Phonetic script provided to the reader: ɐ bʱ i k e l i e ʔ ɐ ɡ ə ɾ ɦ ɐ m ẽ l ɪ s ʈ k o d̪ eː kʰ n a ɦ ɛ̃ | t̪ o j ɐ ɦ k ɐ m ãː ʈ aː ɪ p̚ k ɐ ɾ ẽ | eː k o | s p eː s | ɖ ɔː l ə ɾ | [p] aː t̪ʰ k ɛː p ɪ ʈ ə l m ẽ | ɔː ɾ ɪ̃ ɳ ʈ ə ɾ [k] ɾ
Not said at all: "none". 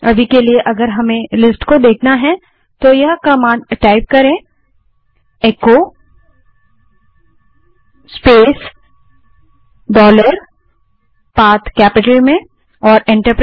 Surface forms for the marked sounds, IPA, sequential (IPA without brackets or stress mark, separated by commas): p, p